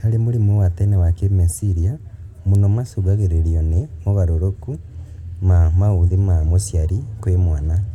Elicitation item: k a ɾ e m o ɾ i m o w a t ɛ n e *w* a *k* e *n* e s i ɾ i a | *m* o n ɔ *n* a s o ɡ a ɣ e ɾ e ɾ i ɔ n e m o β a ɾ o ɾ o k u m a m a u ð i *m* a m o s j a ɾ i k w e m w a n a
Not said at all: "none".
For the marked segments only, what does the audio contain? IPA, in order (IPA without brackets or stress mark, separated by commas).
w, k, m, m, m, m